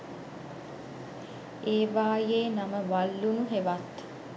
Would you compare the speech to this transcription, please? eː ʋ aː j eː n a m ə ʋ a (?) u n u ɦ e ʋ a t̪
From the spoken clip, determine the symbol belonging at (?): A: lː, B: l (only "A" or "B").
A